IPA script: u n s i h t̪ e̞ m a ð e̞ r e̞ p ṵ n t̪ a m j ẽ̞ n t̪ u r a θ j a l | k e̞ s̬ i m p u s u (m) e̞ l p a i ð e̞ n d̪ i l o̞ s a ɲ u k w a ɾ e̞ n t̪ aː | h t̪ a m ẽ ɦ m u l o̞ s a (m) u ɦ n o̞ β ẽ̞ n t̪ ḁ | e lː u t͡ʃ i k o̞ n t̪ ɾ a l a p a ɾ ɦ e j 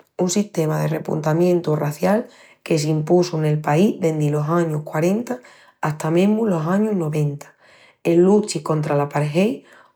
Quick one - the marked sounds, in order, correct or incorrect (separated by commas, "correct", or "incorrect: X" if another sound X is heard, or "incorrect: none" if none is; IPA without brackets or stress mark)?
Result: incorrect: n, incorrect: ɲ